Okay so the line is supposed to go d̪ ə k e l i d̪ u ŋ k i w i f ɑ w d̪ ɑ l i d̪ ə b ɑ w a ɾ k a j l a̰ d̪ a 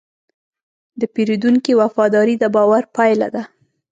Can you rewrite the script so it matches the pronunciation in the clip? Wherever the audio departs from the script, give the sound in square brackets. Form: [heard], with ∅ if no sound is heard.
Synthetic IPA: d̪ ə [p] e [ɾ] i d̪ u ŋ k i w [a] f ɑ [∅] d̪ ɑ [ɾ] i d̪ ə b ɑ w a ɾ [p] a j l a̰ d̪ a